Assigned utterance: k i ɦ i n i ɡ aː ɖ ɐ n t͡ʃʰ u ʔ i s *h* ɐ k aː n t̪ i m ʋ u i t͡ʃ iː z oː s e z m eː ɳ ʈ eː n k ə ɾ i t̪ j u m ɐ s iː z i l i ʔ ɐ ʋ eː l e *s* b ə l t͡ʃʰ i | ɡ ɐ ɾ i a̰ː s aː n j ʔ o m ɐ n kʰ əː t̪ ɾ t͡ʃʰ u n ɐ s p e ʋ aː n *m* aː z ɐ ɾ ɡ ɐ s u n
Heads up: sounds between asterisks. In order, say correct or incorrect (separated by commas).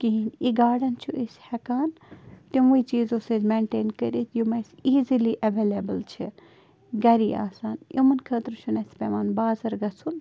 correct, incorrect, incorrect